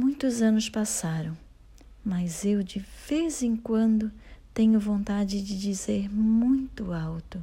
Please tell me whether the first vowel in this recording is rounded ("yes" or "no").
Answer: yes